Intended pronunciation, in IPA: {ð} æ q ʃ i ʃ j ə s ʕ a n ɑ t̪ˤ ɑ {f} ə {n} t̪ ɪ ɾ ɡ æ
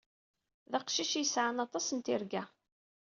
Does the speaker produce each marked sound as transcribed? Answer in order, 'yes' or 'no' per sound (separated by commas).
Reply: yes, no, yes